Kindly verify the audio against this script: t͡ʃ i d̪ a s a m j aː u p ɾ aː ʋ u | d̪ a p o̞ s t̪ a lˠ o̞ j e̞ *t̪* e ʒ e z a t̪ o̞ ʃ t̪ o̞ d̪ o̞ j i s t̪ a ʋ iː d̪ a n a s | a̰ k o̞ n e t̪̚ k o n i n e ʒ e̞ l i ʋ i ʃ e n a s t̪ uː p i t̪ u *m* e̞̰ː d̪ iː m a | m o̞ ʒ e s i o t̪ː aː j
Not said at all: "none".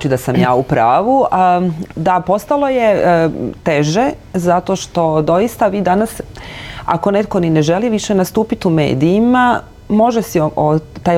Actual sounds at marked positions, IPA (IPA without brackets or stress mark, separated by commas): t̪, m